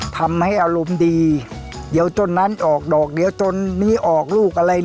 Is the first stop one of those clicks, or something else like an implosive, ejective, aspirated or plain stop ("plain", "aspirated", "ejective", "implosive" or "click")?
aspirated